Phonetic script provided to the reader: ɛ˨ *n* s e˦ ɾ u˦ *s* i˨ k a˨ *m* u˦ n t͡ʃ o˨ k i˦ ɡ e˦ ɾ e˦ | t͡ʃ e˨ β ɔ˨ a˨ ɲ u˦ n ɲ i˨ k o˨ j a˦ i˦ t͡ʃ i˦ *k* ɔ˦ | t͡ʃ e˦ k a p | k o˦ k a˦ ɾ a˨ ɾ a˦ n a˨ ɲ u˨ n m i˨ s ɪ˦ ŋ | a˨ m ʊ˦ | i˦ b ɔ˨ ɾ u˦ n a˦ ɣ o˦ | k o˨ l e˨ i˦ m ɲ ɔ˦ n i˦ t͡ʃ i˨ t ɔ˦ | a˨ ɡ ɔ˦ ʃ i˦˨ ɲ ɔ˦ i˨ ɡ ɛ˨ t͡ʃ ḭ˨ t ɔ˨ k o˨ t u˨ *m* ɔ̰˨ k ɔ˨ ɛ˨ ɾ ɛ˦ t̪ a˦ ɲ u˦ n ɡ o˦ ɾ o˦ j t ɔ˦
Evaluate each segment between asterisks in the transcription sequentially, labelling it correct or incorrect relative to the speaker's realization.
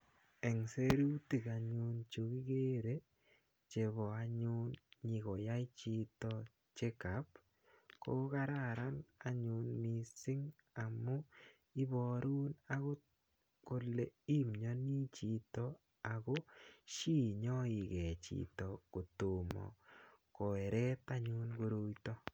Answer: incorrect: ŋ, incorrect: t, incorrect: ɲ, incorrect: t, correct

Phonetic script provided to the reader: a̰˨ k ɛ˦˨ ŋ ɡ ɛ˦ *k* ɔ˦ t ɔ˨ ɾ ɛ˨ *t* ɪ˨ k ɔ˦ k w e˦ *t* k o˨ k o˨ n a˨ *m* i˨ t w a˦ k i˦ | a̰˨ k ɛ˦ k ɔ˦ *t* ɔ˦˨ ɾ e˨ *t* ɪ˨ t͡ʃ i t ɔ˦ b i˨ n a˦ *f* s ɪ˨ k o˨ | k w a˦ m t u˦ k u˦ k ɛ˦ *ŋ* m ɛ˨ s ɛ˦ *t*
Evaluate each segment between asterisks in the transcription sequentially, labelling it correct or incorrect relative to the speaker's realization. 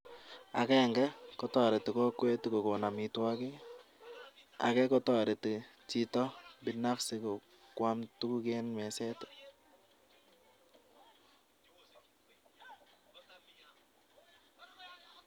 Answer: correct, correct, correct, correct, correct, correct, correct, incorrect: n, correct

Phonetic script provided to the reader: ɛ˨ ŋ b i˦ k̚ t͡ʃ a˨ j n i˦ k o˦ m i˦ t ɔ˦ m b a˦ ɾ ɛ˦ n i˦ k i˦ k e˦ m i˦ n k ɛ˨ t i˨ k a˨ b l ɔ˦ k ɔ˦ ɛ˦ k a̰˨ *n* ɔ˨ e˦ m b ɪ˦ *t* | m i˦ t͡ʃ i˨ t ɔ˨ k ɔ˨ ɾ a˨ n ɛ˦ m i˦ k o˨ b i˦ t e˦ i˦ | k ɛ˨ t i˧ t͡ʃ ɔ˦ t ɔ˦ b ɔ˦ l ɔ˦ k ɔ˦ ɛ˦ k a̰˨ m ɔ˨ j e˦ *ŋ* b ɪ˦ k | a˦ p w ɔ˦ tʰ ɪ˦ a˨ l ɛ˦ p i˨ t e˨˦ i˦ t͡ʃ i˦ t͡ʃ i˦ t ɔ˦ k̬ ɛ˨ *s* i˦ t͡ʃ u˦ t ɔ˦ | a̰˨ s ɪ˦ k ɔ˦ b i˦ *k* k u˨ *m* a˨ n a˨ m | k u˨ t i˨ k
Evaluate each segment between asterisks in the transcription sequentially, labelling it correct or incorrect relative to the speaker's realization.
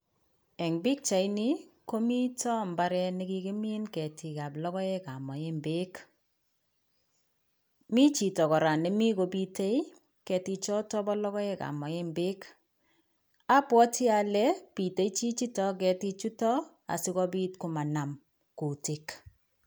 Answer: incorrect: m, incorrect: k, incorrect: m, incorrect: t, incorrect: t, correct

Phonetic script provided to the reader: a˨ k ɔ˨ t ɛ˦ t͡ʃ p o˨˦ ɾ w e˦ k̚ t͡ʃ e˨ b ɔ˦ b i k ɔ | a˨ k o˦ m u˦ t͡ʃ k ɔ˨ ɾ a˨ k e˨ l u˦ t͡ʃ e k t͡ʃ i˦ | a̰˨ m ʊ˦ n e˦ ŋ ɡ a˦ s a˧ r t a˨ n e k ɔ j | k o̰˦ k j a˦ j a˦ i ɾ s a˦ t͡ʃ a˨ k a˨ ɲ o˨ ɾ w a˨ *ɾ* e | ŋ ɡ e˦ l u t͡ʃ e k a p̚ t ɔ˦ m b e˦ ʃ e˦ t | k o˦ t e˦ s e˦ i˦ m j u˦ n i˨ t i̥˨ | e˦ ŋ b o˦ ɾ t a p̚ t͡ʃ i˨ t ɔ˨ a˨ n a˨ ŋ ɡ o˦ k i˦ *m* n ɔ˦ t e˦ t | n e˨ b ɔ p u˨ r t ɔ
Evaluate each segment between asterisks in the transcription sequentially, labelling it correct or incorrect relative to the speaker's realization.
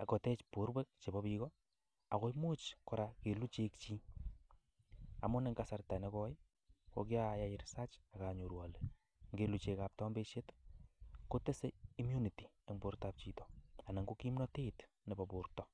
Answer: incorrect: l, correct

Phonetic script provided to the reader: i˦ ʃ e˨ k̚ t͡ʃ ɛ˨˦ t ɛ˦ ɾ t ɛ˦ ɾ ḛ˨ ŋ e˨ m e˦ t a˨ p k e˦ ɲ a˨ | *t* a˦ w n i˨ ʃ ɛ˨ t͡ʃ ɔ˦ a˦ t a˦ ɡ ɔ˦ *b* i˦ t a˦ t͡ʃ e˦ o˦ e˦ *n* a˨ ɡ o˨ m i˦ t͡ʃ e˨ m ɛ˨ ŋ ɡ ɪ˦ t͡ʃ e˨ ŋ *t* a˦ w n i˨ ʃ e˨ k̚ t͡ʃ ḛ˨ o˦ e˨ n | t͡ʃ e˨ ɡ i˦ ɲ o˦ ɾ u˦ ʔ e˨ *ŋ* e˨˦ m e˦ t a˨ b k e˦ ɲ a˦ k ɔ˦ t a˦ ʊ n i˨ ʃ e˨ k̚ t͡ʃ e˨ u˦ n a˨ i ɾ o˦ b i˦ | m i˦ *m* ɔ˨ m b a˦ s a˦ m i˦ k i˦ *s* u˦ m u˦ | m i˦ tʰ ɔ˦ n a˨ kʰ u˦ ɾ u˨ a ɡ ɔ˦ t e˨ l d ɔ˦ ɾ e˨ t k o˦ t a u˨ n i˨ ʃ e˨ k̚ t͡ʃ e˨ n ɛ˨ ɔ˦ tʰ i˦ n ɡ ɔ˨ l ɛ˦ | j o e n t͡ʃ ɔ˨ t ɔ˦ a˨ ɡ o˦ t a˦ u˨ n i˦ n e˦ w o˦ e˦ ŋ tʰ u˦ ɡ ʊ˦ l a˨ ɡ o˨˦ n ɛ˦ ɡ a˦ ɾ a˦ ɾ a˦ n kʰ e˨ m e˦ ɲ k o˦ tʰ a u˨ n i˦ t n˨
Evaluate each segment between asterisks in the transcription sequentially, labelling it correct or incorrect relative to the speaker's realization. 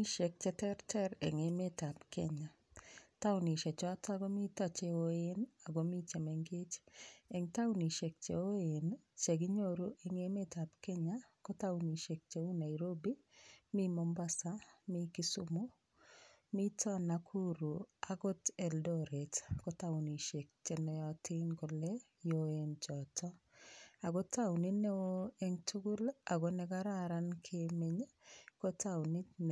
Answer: correct, incorrect: m, correct, correct, correct, correct, correct

